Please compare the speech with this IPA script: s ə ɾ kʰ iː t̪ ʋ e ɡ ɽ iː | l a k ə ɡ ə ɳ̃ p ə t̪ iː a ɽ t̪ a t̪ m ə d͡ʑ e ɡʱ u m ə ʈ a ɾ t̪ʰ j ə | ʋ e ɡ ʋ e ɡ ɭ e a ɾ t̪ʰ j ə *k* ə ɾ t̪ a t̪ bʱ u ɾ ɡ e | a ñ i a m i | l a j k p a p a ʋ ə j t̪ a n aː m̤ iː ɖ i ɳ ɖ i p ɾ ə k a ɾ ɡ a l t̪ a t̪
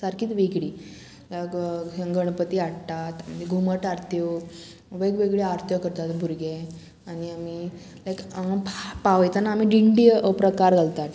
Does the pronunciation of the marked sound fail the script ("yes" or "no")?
no